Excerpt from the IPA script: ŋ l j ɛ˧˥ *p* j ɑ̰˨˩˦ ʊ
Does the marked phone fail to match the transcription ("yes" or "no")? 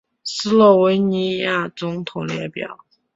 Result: no